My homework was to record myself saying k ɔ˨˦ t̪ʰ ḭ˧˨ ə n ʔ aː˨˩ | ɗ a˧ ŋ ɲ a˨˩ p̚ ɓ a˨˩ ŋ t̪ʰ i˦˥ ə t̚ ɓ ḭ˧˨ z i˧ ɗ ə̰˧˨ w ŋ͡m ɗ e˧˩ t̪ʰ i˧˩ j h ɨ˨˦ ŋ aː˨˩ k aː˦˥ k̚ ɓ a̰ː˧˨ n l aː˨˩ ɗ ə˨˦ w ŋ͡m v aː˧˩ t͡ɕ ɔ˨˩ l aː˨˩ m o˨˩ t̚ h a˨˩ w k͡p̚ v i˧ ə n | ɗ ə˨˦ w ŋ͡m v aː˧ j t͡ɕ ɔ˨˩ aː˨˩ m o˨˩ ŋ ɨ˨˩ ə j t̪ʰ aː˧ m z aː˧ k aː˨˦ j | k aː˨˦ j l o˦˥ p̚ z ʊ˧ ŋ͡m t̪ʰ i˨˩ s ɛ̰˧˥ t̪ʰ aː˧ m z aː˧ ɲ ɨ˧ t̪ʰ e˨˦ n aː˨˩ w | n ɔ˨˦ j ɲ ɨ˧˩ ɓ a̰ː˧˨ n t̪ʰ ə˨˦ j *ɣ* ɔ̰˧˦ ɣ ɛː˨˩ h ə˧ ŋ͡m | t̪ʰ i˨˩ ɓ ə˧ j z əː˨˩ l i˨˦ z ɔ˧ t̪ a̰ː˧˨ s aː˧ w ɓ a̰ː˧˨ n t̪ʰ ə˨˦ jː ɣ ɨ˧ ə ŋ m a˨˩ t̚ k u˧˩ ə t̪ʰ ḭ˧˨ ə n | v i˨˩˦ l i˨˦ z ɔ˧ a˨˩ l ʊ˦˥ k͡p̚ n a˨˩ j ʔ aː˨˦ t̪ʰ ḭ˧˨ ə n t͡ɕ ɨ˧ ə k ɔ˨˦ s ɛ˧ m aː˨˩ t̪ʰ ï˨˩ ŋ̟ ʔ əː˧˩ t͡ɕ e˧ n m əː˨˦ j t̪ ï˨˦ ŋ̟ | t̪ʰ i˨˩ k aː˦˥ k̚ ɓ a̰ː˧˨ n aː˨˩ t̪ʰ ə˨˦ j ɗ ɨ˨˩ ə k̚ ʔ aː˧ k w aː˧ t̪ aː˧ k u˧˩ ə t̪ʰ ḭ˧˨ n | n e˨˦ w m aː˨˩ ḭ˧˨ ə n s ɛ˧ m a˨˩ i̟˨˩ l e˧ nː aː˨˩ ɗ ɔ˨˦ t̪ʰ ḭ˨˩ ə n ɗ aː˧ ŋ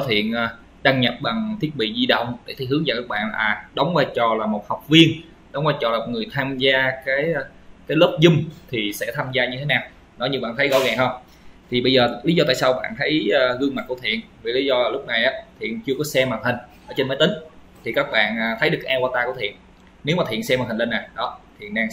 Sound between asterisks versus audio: correct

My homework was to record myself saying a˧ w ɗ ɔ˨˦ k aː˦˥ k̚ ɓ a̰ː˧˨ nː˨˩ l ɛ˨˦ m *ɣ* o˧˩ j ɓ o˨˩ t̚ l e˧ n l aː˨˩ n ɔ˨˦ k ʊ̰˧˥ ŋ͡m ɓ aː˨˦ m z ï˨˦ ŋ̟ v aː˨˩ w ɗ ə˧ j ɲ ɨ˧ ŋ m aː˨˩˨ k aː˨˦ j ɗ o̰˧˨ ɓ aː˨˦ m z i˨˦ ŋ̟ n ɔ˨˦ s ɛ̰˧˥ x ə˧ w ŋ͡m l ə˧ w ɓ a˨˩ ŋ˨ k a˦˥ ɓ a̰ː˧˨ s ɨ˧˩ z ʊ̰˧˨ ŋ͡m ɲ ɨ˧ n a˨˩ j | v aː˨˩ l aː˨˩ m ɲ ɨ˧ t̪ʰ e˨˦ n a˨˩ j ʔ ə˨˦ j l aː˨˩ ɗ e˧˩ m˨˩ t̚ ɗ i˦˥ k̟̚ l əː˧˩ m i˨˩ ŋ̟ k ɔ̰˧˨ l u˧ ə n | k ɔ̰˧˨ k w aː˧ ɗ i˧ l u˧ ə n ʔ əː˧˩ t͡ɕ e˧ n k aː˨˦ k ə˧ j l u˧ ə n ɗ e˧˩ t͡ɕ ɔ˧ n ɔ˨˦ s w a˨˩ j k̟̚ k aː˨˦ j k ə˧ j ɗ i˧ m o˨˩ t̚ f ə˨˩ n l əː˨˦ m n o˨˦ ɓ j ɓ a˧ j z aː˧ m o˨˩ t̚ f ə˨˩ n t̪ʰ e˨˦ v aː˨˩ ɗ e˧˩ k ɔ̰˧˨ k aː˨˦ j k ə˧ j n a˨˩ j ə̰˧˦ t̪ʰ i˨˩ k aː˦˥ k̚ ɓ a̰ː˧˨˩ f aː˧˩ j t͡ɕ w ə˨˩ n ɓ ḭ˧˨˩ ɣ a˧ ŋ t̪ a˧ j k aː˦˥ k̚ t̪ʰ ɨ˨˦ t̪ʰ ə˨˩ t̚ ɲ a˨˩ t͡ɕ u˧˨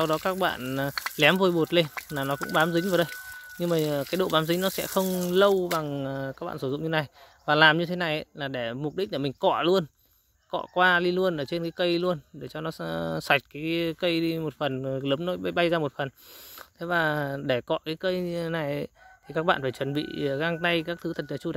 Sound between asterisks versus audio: incorrect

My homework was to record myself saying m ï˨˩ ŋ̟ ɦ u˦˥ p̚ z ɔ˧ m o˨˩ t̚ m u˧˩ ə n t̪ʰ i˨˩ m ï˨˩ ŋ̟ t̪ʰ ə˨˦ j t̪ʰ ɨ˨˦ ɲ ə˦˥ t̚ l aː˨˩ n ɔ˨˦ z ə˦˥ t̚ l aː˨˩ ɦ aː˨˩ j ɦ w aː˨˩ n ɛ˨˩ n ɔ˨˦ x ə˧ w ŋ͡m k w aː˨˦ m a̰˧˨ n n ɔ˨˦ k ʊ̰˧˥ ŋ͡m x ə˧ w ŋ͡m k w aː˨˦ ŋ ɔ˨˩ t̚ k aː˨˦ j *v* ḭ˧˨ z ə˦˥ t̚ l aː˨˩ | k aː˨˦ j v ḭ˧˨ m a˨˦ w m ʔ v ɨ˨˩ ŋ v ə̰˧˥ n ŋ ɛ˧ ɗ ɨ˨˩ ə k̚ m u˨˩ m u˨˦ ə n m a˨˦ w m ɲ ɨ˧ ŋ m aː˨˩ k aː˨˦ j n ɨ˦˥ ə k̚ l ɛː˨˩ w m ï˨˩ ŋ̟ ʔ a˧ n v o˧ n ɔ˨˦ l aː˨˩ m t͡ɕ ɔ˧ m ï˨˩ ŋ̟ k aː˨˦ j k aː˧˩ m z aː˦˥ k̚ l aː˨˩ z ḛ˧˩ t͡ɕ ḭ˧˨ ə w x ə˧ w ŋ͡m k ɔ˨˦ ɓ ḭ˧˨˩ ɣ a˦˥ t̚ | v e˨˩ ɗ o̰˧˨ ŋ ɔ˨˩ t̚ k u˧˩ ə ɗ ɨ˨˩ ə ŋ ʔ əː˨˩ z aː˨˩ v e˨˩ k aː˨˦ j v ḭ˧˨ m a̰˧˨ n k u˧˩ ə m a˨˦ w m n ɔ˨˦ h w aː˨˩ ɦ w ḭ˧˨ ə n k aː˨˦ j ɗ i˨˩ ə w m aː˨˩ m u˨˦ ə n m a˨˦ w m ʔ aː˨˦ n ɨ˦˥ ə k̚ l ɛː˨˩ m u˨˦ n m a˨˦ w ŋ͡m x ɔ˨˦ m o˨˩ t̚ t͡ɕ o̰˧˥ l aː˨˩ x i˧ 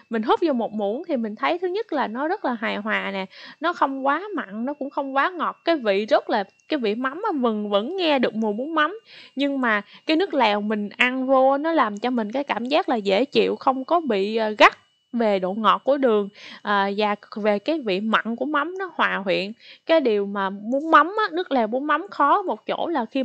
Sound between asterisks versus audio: correct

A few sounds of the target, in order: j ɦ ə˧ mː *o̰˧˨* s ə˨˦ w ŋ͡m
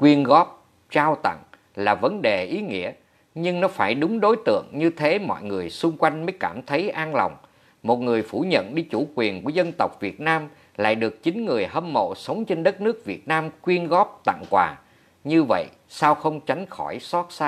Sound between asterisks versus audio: correct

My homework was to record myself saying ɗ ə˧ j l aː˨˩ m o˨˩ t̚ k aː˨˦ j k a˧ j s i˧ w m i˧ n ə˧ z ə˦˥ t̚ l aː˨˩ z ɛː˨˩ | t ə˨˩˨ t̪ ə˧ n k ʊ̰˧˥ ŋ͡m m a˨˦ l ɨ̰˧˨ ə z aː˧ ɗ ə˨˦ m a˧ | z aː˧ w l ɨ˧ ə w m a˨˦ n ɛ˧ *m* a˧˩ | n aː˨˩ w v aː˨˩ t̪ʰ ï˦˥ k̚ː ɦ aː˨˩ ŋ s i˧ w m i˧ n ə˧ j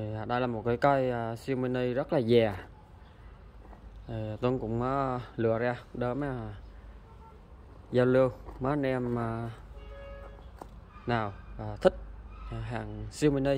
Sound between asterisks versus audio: correct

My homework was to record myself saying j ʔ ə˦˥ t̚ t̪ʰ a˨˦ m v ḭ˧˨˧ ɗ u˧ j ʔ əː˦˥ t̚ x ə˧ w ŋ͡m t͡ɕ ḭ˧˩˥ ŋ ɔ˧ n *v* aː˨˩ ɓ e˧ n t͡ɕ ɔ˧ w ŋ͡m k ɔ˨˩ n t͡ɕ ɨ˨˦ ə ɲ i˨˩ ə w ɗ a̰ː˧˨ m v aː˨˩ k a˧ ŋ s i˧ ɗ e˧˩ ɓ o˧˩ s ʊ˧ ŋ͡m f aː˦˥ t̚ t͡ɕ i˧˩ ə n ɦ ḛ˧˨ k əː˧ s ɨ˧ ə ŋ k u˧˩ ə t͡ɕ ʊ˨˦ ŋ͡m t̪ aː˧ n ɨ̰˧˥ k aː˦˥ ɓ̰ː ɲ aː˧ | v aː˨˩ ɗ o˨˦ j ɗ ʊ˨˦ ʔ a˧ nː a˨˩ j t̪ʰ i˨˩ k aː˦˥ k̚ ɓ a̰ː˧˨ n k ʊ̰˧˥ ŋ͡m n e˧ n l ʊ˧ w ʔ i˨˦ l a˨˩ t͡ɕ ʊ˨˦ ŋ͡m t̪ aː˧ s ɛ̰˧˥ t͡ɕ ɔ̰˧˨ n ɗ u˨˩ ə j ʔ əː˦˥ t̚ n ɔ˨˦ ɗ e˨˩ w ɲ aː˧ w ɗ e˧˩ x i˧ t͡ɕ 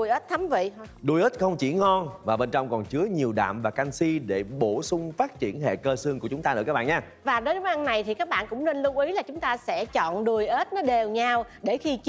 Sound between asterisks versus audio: correct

